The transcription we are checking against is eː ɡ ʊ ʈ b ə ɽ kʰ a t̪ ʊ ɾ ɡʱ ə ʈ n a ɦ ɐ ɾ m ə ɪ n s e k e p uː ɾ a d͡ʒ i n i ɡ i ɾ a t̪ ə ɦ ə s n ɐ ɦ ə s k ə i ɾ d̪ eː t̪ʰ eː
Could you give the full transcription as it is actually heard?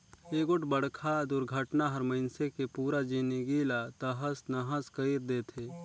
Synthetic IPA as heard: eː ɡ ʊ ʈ b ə ɽ kʰ a d̪ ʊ ɾ ɡʱ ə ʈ n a ɦ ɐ ɾ m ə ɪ n s e k e p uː ɾ a d͡ʒ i n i ɡ i l a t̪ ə ɦ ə s n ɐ ɦ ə s k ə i ɾ d̪ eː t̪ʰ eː